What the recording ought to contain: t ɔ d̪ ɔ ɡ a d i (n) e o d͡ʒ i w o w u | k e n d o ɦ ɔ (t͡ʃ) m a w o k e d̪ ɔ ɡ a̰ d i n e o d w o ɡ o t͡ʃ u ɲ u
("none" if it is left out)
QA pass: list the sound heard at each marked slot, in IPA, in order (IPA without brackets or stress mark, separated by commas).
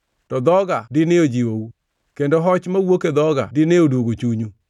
n, t͡ʃ